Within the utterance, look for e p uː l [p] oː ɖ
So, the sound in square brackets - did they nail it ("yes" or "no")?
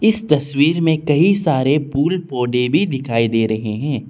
yes